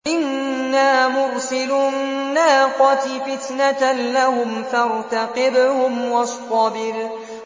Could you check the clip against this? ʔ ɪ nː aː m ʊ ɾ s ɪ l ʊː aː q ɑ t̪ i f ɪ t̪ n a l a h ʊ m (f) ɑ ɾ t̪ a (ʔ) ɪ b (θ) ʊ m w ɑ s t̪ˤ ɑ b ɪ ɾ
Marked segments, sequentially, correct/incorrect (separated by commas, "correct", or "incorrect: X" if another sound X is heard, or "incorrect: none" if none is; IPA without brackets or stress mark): correct, incorrect: q, incorrect: h